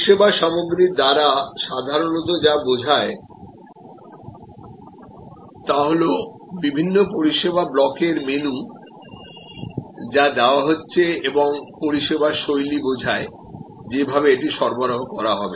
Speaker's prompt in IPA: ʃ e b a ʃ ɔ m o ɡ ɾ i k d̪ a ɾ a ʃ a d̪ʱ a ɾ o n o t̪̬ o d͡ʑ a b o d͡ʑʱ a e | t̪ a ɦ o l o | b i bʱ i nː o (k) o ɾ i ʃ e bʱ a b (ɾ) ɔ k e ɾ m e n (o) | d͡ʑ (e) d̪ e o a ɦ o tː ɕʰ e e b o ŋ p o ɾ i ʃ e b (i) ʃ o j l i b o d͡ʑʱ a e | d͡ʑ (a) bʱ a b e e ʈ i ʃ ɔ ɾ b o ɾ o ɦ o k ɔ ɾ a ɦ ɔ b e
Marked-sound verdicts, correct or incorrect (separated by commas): incorrect, incorrect, incorrect, incorrect, incorrect, incorrect